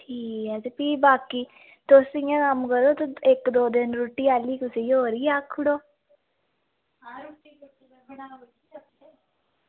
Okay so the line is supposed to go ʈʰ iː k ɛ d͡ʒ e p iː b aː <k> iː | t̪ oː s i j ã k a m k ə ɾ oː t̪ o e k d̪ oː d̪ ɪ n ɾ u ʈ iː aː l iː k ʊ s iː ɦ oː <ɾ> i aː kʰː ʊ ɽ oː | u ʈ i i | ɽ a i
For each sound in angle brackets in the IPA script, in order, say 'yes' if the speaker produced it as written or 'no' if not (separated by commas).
yes, yes